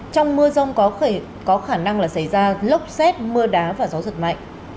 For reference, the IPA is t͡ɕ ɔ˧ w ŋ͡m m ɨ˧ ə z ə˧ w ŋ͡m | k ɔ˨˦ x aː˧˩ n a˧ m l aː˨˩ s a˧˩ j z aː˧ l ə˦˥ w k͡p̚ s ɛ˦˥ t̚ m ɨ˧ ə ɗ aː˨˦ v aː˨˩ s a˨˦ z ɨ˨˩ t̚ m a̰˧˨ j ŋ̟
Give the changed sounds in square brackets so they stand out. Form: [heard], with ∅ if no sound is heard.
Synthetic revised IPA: t͡ɕ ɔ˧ w ŋ͡m m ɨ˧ ə z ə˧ w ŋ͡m | k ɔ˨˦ x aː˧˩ n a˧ [ŋ] l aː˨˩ s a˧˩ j z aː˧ l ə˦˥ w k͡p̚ s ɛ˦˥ t̚ m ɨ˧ ə ɗ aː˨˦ v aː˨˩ [z] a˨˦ z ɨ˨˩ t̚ m a̰˧˨ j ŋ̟